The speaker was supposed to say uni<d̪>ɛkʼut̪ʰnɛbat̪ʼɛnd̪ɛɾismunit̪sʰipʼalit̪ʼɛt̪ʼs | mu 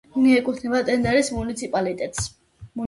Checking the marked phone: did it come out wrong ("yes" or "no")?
yes